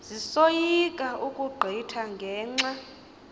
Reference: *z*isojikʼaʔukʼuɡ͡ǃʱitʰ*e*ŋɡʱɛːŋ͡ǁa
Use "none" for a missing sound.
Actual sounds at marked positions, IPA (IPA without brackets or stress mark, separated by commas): z, a